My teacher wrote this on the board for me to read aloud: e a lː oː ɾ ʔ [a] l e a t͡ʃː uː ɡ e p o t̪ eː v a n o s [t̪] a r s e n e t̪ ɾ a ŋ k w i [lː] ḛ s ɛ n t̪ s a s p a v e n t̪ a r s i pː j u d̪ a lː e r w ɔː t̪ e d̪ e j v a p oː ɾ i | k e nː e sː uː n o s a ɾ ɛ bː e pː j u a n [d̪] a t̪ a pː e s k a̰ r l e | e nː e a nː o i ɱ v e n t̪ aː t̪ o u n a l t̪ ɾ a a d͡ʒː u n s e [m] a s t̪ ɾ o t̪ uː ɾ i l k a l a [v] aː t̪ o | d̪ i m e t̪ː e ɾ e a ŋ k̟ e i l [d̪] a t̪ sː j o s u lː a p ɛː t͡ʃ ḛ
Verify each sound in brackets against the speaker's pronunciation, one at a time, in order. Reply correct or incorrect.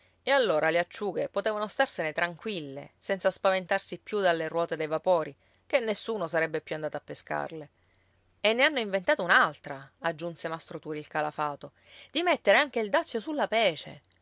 correct, correct, correct, correct, correct, incorrect: f, correct

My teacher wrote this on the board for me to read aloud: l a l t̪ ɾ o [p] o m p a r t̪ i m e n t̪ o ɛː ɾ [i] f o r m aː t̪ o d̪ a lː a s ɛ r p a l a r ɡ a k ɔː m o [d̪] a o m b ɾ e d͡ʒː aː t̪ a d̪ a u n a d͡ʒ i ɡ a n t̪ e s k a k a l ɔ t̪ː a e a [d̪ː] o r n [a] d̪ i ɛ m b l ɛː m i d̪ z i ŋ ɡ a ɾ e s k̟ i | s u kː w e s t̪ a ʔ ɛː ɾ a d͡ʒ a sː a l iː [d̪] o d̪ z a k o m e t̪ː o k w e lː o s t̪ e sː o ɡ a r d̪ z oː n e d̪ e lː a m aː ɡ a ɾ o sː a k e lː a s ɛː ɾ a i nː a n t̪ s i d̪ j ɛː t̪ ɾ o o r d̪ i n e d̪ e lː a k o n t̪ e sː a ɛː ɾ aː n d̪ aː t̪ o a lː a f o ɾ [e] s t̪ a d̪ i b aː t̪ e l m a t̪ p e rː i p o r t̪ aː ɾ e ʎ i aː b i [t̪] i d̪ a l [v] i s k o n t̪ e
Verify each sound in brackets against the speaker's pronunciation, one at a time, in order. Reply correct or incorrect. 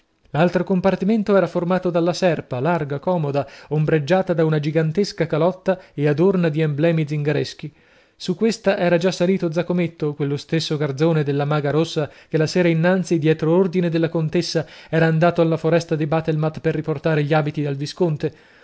incorrect: k, incorrect: a, correct, incorrect: d̪, correct, incorrect: t̪, incorrect: ɛ, correct, correct

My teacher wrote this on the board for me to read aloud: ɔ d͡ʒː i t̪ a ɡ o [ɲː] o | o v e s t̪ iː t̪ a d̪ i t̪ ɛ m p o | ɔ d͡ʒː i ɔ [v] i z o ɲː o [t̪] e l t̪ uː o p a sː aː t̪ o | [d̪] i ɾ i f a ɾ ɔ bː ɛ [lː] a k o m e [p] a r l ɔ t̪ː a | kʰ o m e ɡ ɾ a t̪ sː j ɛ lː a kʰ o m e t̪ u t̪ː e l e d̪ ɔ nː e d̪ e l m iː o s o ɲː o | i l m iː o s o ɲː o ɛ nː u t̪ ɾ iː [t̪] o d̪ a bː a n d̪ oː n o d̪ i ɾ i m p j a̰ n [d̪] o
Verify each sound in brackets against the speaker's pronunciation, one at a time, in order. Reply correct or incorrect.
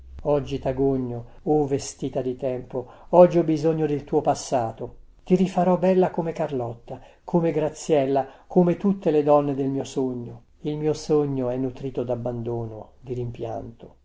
correct, incorrect: b, incorrect: d̪, incorrect: t̪, correct, incorrect: k, correct, incorrect: t̪

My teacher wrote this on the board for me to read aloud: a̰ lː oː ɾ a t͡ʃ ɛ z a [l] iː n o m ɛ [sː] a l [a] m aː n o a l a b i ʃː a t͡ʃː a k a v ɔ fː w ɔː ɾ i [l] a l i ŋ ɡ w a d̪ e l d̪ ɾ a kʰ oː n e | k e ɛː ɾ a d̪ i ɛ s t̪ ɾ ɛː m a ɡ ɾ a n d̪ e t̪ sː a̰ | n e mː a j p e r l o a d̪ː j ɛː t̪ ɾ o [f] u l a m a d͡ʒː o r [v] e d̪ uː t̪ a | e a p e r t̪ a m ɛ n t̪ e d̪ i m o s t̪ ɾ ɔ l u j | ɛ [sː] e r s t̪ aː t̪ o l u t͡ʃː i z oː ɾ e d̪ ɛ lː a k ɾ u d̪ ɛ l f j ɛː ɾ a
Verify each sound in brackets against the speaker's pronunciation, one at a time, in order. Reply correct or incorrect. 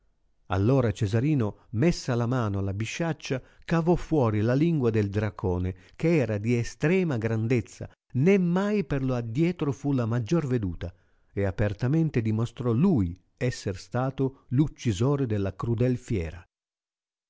incorrect: ɾ, correct, correct, correct, correct, correct, correct

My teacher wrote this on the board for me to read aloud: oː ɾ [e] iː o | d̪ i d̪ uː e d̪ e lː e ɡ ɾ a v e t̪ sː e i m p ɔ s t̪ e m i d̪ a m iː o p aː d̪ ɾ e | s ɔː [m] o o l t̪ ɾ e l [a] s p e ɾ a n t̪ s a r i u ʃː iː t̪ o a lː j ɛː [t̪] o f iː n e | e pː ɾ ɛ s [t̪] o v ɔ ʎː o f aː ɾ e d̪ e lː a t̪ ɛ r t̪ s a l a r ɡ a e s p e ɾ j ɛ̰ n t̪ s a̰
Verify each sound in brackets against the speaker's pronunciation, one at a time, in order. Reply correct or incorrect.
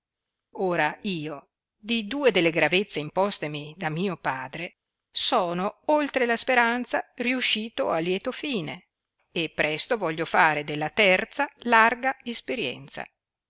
incorrect: a, incorrect: n, correct, correct, correct

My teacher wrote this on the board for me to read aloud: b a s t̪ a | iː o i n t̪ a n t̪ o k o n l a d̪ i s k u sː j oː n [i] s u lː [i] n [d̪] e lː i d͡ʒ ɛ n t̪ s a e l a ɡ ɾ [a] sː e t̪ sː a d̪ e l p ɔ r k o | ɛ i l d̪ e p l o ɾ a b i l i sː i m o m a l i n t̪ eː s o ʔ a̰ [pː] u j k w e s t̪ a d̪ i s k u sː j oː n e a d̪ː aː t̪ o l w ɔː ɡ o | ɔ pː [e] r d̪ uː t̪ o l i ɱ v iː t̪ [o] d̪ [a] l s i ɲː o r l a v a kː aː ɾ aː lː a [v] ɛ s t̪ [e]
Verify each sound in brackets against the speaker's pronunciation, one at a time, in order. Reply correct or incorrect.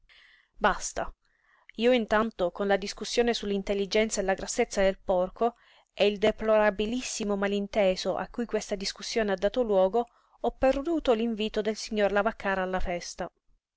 incorrect: e, correct, incorrect: t̪, correct, incorrect: kː, correct, correct, incorrect: e, incorrect: f, incorrect: a

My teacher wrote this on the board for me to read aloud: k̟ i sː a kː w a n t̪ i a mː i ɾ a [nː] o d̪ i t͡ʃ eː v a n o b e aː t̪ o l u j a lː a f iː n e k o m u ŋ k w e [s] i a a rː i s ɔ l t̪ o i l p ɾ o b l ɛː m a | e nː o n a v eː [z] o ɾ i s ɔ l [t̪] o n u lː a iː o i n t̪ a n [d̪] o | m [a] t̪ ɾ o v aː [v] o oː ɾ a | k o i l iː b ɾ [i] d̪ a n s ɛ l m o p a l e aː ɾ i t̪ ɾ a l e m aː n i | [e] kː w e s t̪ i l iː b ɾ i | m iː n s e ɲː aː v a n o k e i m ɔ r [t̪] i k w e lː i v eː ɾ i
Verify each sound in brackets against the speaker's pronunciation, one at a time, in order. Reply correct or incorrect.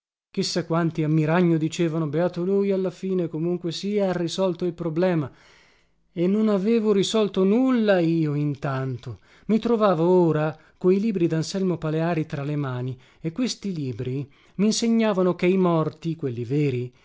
incorrect: ɲː, correct, incorrect: v, correct, incorrect: t̪, incorrect: i, correct, correct, correct, correct

